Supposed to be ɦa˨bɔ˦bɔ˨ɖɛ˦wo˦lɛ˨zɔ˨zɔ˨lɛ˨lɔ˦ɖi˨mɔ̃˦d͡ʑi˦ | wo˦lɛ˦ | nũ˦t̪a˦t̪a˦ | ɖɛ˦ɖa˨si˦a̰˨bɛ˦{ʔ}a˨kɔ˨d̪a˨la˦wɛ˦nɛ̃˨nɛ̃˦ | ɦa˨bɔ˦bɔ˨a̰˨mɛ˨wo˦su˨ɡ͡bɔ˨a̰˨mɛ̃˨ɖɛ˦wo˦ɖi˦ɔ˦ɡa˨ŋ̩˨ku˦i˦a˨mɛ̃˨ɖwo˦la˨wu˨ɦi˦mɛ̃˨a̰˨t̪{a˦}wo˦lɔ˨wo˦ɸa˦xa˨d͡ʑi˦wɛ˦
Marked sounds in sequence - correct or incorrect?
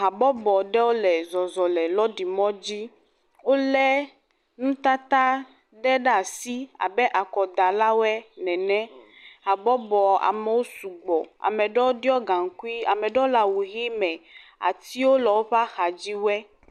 correct, incorrect

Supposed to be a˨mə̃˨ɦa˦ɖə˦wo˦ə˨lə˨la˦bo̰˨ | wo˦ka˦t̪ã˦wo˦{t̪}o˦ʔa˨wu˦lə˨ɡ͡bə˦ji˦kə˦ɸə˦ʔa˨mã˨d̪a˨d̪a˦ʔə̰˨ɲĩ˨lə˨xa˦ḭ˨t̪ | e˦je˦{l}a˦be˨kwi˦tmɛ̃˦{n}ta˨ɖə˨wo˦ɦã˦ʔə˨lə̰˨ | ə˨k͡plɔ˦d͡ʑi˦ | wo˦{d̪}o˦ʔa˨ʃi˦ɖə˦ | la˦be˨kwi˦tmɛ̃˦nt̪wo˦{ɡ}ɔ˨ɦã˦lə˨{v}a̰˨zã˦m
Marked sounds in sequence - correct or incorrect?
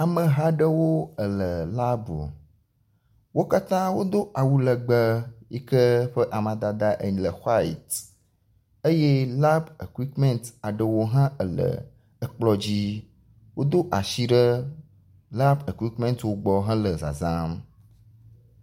incorrect, correct, correct, correct, incorrect, incorrect

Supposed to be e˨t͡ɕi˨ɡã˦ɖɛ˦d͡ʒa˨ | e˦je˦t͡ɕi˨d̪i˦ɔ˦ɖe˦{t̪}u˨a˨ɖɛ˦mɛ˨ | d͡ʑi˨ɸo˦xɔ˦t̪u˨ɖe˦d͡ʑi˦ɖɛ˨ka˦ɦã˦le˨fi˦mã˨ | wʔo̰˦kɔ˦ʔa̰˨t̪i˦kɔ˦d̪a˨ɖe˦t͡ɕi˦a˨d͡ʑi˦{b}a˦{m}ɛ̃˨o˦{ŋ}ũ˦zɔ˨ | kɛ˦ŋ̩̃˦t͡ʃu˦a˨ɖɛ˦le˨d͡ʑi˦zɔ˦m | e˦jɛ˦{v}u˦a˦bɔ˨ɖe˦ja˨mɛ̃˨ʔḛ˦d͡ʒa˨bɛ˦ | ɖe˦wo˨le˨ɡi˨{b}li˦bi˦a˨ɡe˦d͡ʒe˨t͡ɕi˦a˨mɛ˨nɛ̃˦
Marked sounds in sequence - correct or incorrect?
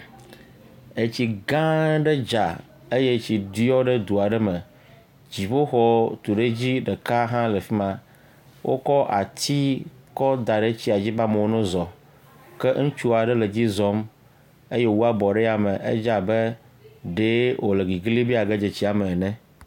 incorrect, correct, correct, incorrect, incorrect, incorrect

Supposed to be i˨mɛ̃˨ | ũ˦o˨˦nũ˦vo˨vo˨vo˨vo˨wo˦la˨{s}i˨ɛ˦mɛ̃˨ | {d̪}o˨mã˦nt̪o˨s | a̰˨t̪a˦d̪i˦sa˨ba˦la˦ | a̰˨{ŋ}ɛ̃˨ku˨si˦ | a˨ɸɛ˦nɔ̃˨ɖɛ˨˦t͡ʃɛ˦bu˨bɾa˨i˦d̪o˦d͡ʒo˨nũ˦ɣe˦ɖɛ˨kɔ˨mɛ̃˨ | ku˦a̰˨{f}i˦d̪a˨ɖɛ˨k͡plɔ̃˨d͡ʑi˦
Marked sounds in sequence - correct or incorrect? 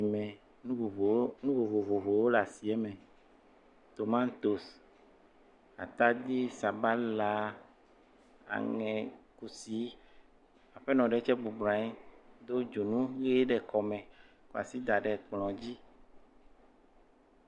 correct, incorrect, correct, incorrect

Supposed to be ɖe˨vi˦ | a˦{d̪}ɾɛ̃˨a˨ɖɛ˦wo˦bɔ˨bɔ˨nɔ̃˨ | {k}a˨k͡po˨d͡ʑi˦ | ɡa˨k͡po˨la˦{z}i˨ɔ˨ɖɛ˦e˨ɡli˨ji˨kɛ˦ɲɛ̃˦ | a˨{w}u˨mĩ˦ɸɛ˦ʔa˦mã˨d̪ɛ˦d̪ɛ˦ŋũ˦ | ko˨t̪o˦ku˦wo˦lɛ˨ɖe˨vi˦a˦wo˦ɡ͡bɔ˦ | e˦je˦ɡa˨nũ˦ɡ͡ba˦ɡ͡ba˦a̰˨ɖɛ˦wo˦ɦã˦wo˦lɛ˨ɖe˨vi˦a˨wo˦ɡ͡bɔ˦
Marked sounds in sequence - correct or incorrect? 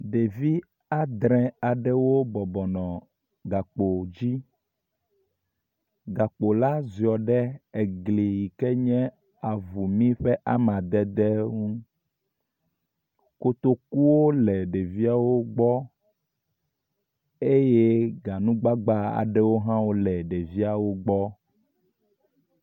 correct, incorrect, correct, incorrect

